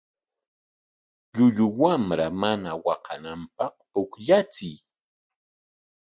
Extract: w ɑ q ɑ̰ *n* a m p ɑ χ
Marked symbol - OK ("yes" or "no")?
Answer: yes